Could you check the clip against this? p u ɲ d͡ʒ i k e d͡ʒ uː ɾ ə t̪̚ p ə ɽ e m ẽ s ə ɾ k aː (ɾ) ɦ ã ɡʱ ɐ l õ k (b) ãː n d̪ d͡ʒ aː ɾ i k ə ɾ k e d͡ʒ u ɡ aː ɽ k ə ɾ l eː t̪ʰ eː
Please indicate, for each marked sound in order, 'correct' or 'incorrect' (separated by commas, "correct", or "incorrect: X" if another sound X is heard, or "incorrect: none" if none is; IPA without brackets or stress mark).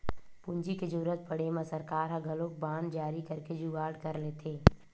correct, correct